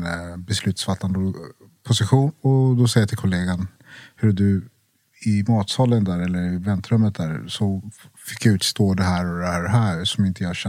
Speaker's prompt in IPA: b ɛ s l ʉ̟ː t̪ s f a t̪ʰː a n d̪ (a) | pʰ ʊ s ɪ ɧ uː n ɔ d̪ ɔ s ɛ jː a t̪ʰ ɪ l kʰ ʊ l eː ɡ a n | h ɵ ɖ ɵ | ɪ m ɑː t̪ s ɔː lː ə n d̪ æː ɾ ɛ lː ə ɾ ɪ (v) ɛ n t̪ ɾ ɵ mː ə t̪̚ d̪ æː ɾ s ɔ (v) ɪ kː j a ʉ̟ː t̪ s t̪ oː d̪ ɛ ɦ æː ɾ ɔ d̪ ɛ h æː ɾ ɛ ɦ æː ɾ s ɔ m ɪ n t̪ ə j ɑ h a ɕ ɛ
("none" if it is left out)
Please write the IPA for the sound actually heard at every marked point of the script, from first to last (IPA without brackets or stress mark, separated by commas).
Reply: ə, v, f